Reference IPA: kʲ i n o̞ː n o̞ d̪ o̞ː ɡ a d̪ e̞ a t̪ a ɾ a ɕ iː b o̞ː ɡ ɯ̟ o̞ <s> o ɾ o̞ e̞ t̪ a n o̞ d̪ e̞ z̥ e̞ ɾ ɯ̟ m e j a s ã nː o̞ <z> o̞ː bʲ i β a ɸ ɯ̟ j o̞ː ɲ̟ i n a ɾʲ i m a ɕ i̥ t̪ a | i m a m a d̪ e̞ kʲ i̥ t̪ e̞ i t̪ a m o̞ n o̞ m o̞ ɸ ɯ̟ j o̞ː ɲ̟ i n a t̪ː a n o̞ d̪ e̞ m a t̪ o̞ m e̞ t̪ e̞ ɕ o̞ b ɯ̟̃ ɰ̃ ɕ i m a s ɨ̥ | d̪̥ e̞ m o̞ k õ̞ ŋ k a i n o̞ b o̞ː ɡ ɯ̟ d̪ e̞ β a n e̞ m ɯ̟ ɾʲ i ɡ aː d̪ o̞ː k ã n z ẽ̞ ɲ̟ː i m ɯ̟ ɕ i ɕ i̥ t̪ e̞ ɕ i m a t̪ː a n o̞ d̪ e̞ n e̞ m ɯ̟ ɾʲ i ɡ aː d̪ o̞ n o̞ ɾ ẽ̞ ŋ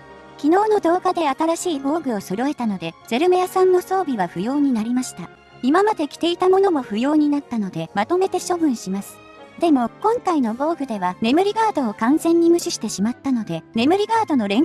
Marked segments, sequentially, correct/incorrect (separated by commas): correct, incorrect